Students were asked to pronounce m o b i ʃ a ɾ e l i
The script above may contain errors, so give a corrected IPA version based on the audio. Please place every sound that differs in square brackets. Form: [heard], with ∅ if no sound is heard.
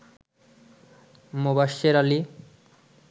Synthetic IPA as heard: m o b [a] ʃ [e] ɾ [a] l i

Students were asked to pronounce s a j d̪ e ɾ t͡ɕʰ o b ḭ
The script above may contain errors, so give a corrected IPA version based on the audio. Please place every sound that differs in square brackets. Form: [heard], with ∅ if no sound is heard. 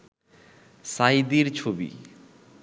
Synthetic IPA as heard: s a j d̪ [i] ɾ t͡ɕʰ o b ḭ

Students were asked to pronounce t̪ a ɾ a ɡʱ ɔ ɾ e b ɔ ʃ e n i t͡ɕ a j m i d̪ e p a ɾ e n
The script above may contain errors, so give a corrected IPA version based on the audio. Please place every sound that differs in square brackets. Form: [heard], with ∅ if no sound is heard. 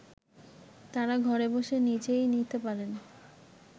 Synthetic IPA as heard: t̪ a ɾ a ɡʱ ɔ ɾ e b [o] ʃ e n i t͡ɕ [e] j [n] i [t̪] e p a ɾ e n

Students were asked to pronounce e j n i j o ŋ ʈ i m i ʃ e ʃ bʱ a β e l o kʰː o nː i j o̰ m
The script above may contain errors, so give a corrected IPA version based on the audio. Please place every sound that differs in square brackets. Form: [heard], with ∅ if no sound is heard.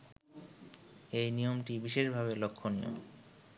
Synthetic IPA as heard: e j n i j o [m] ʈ i [b] i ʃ e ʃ bʱ a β e l o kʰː o [n] i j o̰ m

